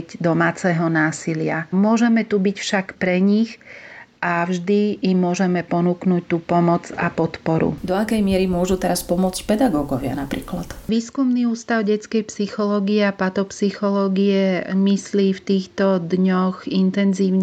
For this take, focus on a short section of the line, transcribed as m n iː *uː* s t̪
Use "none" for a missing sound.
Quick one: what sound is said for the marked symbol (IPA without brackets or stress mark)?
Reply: uː